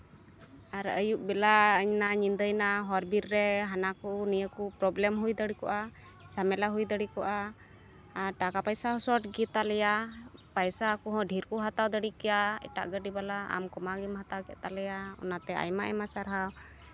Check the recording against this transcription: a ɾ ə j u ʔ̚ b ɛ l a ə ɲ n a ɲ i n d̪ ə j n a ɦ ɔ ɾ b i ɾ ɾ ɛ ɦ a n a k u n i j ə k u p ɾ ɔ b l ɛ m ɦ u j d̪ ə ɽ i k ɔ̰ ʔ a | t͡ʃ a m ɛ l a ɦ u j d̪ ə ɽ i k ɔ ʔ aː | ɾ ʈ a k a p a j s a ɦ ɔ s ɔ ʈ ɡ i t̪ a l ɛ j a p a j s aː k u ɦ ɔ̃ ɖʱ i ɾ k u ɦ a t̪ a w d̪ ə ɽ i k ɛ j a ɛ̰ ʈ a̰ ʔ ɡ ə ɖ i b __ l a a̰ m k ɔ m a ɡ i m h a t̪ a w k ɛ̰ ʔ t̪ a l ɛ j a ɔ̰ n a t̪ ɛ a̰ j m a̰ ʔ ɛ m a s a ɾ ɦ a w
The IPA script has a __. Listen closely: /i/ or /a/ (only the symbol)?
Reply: a